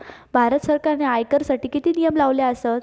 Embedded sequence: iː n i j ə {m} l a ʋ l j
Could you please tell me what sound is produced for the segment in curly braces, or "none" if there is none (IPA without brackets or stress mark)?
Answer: m